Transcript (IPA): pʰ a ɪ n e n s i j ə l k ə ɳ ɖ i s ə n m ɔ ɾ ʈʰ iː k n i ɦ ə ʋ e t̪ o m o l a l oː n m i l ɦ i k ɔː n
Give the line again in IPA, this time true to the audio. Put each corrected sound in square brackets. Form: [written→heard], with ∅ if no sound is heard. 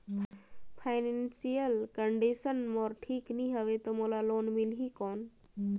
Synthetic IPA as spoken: pʰ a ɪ n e n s i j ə l k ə ɳ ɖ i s ə n m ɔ ɾ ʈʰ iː k n i ɦ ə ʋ e t̪ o m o l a l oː n m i l ɦ i k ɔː n